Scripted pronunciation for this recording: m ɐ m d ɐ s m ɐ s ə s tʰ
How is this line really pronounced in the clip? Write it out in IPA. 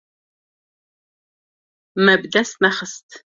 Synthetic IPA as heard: m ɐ b d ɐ s m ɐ χ ə s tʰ